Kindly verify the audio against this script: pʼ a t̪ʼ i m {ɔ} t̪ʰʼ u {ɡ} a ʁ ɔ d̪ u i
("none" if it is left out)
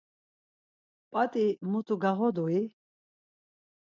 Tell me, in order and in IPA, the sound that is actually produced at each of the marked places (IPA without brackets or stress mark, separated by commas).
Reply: u, ɡ